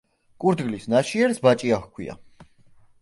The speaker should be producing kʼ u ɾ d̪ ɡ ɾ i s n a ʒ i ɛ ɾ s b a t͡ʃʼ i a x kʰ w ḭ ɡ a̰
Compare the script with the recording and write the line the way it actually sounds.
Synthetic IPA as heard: kʼ u ɾ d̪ ɡ l i s n a ʃ i ɛ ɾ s b a t͡ʃʼ i a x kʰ w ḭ a̰